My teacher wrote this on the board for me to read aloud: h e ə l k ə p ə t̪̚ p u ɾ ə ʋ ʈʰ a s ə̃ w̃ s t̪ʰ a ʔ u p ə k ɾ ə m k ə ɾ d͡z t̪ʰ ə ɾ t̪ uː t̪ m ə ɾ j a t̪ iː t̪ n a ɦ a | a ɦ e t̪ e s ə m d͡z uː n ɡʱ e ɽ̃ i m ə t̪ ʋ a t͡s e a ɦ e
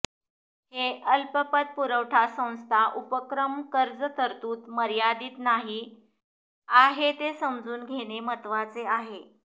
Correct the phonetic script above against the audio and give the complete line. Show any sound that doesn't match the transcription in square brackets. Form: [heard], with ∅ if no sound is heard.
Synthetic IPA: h e ə l [p] ə p ə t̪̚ p u ɾ ə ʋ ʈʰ a s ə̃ w̃ s t̪ʰ a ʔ u p ə k ɾ ə m k ə ɾ d͡z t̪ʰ ə ɾ t̪ uː t̪ m ə ɾ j a [d̪] iː t̪ n a ɦ [i] | a ɦ e t̪ e s ə m d͡z uː n ɡʱ e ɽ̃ [e] m ə t̪ ʋ a t͡s e a ɦ e